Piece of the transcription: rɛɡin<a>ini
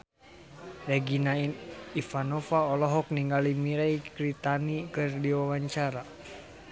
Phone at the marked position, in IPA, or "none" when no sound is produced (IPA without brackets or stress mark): a